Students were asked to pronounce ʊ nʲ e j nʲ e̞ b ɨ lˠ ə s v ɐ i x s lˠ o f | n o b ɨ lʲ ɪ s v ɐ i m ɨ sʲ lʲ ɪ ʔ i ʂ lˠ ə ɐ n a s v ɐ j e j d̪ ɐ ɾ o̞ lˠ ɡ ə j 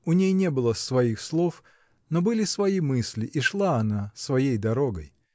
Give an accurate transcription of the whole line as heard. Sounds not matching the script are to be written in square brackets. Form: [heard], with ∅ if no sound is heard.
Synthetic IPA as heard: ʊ nʲ e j nʲ e̞ b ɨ lˠ ə s v ɐ i x s lˠ o f | n o b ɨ lʲ ɪ s v ɐ i m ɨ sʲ lʲ ɪ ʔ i ʂ lˠ [a] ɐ n a s v ɐ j e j d̪ ɐ ɾ o̞ [∅] ɡ ə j